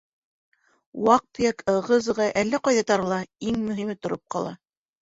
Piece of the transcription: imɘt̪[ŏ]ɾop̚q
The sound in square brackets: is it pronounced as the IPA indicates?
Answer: yes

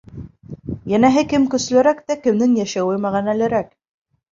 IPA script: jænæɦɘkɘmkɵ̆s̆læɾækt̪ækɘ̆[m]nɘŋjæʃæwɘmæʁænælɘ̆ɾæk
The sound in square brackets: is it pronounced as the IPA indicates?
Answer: yes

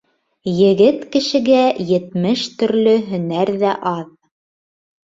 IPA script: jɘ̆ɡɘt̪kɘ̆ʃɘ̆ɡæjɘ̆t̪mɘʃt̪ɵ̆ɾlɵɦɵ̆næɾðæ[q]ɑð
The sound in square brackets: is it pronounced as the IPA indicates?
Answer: no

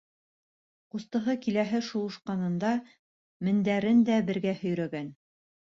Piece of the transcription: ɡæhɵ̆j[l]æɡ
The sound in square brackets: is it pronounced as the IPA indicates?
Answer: no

